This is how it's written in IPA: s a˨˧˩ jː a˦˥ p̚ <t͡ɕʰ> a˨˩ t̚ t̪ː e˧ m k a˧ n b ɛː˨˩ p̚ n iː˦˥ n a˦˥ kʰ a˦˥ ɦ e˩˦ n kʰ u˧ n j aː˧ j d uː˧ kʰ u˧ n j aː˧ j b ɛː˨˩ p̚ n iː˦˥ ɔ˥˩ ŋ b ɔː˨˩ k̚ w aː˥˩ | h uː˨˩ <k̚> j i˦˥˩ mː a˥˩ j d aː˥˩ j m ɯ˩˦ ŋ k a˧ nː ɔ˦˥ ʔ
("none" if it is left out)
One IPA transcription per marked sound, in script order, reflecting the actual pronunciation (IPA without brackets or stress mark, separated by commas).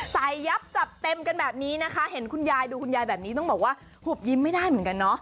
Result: t͡ɕ, p̚